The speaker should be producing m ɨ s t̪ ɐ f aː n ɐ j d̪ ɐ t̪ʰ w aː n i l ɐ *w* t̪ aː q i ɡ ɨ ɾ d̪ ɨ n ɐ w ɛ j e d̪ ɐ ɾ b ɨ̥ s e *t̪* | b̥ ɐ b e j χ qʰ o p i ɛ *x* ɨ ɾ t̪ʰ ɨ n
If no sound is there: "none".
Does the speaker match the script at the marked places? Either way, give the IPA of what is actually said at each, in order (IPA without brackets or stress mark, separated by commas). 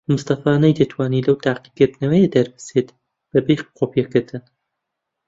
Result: w, t̪, k